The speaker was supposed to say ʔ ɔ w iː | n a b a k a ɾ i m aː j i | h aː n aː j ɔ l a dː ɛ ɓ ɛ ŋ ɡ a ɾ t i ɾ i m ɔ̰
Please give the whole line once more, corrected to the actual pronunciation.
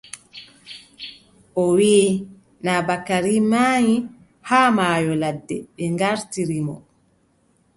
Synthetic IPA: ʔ ɔ w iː | n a b a k a ɾ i m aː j i | h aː m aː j ɔ l a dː ɛ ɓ ɛ ŋ ɡ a ɾ t i ɾ i m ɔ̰